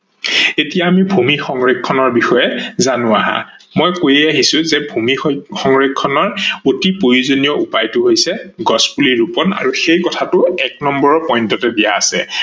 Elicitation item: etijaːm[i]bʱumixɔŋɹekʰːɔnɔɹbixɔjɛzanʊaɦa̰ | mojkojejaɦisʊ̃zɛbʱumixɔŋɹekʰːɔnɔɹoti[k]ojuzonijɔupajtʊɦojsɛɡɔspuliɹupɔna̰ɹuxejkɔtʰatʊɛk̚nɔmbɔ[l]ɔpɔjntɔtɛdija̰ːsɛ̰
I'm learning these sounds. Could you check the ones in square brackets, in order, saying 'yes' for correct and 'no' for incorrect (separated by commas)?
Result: yes, no, no